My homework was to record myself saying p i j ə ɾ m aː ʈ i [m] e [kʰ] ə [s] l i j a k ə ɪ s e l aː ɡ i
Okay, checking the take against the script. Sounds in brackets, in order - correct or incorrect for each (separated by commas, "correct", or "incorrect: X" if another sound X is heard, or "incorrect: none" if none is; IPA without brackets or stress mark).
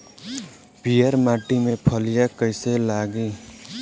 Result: correct, incorrect: pʰ, incorrect: none